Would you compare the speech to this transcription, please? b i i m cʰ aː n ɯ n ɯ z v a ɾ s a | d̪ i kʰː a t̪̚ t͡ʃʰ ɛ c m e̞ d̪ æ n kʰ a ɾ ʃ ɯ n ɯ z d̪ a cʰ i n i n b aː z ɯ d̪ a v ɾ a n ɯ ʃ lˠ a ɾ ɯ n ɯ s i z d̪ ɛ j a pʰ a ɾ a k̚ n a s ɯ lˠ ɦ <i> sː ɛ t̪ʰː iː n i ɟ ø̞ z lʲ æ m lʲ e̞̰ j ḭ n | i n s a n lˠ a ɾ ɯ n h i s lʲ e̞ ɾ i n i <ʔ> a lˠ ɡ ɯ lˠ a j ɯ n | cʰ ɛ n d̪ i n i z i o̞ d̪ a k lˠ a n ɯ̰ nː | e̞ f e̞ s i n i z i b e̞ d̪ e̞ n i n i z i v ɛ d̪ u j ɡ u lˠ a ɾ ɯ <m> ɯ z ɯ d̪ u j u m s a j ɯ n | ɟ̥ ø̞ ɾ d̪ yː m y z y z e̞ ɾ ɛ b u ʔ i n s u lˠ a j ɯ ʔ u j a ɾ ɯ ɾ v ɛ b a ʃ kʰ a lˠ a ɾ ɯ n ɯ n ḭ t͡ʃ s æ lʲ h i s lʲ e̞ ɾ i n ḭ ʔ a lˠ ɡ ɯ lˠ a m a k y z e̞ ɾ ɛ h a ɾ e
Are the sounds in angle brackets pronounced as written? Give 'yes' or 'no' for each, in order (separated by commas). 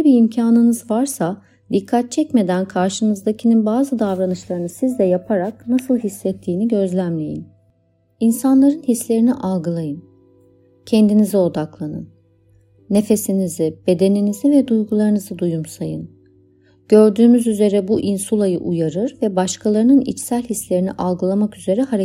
yes, yes, no